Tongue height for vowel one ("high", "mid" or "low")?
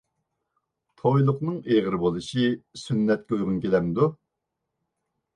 mid